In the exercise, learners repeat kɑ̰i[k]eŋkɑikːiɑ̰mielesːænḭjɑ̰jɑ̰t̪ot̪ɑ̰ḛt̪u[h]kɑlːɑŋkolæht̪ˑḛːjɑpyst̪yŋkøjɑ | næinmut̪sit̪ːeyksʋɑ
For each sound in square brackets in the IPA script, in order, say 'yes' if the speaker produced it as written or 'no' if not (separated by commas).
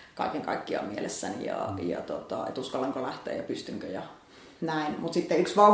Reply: yes, no